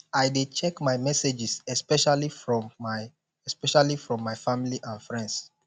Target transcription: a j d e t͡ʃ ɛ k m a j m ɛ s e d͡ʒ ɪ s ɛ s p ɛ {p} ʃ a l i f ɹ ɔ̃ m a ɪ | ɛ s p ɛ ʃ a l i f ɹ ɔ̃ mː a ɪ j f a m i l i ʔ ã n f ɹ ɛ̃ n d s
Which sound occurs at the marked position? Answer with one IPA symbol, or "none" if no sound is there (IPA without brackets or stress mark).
none